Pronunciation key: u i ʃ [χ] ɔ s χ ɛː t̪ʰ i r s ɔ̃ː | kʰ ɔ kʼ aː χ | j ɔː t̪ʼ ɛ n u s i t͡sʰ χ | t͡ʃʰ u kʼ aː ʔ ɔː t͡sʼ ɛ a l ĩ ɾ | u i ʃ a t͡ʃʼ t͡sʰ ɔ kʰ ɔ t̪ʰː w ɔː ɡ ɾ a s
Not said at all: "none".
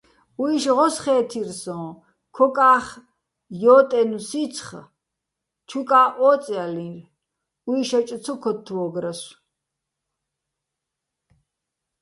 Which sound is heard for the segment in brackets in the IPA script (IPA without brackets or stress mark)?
ʁ